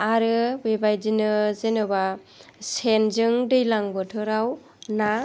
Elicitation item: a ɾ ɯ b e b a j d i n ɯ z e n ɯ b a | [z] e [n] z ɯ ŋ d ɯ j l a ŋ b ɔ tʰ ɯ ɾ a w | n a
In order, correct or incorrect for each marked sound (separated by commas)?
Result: incorrect, correct